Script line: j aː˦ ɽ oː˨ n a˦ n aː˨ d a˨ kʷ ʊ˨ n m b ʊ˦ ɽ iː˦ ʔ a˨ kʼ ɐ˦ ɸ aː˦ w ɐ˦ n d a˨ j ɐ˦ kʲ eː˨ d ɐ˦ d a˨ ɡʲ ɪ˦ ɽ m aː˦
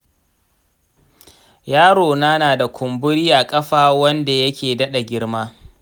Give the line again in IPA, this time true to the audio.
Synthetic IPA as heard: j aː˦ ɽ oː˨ n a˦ n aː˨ d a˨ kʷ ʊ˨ m b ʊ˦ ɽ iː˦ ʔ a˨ kʼ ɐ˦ ɸ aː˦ w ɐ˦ n d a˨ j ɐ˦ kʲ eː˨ d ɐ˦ ɗ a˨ ɡʲ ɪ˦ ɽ m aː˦